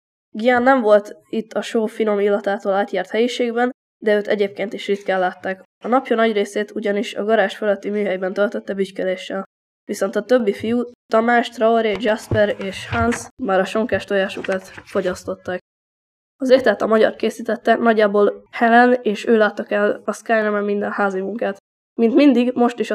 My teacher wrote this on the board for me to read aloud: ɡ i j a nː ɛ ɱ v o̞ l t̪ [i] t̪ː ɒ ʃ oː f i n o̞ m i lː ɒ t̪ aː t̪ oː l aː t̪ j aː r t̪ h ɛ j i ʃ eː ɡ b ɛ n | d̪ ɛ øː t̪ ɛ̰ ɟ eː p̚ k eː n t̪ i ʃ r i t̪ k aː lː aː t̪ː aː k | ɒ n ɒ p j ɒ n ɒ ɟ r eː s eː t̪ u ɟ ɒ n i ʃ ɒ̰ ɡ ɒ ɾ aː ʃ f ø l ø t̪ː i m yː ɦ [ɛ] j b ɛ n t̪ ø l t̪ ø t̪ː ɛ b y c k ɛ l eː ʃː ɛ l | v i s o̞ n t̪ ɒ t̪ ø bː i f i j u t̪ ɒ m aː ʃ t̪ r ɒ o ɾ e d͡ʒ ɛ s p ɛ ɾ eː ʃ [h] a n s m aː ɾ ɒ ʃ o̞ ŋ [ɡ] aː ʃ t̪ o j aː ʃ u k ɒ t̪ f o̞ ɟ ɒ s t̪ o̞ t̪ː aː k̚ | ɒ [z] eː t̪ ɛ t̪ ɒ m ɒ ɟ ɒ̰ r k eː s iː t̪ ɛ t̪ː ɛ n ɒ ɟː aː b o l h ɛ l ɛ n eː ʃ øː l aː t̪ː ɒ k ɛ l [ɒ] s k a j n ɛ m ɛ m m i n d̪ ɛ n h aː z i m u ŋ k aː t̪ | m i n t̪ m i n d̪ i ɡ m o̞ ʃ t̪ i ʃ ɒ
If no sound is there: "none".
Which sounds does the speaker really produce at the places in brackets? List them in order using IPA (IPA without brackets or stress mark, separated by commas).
i, ɛ, h, k, z, ɒ